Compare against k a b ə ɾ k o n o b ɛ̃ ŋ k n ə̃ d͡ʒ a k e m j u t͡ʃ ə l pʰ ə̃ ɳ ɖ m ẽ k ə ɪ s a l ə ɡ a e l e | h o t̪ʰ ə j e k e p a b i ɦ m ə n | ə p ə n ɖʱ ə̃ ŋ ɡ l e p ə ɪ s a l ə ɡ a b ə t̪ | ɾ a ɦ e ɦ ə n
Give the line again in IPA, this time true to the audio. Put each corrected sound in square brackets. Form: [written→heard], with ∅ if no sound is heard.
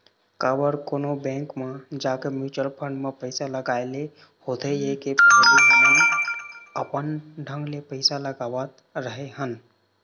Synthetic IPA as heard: k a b ə ɾ k o n o b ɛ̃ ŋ k [n→m] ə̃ d͡ʒ a k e m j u t͡ʃ ə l pʰ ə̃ ɳ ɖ m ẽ [k→p] ə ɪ s a l ə ɡ a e l e | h o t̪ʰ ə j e k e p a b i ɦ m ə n | ə p ə n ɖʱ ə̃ ŋ ɡ l e p ə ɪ s a l ə ɡ a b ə t̪ | ɾ [a→ə] ɦ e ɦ ə n